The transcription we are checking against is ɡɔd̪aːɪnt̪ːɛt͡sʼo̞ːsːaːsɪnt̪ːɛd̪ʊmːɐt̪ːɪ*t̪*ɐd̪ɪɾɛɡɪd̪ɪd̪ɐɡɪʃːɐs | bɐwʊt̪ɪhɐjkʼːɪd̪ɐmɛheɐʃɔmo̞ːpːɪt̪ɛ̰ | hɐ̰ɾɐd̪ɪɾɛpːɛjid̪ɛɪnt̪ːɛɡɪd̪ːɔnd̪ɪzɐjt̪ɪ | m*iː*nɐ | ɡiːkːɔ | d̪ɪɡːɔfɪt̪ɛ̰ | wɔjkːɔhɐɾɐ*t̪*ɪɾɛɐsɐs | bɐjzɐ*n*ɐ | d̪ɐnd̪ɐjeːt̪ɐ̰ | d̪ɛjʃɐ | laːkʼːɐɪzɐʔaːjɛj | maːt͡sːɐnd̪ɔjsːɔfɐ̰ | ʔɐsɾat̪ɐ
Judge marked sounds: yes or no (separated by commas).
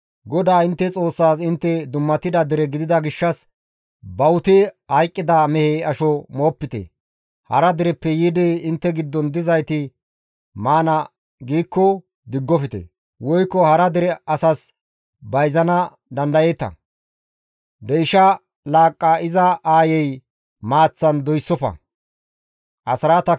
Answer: no, no, no, yes